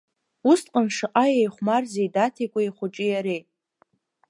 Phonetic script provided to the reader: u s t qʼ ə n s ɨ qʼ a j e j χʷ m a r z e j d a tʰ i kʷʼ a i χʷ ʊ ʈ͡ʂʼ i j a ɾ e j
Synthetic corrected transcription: u s t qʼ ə n ʂ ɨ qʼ a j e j χʷ m a r z e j d a tʰ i kʷʼ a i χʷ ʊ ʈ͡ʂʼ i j a ɾ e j